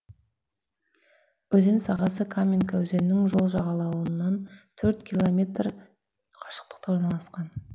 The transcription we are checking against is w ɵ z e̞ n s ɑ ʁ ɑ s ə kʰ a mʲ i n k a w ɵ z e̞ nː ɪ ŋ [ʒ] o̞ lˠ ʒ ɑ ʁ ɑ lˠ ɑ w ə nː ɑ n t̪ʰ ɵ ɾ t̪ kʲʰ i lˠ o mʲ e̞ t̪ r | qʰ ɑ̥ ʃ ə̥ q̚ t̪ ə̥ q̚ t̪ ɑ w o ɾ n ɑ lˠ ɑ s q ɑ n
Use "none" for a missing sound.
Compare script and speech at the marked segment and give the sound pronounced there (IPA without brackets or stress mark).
ʒ